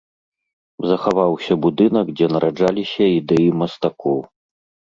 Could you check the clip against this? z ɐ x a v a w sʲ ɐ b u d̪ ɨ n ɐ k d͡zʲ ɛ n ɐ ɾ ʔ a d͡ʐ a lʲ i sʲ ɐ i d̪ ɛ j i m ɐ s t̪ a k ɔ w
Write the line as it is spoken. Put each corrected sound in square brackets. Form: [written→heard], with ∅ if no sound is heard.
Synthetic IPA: z ɐ x a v a w sʲ ɐ b u d̪ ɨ n ɐ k d͡zʲ ɛ n ɐ ɾ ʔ a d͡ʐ a lʲ i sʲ ɐ i d̪ ɛ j i m ɐ s t̪ a k ɔ w